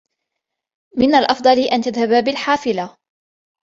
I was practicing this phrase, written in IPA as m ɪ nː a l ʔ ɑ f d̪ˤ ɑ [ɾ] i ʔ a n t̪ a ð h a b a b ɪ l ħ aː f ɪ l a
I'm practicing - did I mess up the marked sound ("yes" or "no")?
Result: yes